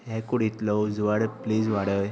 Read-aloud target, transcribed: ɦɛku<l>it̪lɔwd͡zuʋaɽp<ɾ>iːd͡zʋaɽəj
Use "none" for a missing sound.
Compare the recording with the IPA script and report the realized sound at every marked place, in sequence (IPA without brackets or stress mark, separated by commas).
ɽ, l